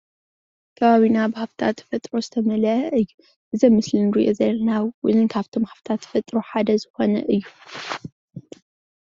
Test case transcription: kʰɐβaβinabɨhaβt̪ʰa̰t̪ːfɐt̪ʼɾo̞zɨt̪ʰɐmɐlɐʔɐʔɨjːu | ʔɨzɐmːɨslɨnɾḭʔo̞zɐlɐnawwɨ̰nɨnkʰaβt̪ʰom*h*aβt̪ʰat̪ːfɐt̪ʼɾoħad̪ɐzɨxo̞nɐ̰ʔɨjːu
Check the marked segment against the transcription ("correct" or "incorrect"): correct